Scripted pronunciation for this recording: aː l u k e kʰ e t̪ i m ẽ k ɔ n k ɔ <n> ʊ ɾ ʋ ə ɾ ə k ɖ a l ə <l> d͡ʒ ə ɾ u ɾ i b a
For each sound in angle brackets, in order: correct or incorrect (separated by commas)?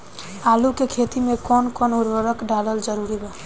correct, correct